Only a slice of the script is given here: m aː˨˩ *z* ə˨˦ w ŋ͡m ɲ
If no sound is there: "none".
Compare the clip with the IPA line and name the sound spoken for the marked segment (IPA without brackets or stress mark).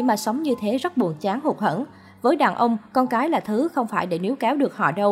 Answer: s